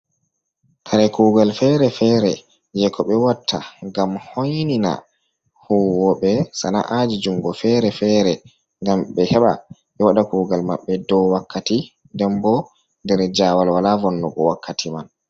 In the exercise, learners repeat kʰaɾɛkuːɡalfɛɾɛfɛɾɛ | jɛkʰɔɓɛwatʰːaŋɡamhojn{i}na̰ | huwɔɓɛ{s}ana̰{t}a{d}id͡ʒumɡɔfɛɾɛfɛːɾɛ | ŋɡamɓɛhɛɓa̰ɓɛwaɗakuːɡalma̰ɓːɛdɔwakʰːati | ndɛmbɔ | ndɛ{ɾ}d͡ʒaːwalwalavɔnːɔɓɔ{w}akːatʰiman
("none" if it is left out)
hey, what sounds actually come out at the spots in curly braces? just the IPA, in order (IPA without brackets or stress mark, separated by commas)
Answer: i, s, ʔ, d͡ʒ, ɾ, w